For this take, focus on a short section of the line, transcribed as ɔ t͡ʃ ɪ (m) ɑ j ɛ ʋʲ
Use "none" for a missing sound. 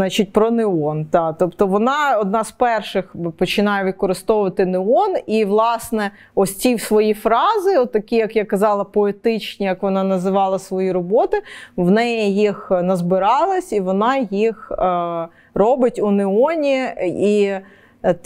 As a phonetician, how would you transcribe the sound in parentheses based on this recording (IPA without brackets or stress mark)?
n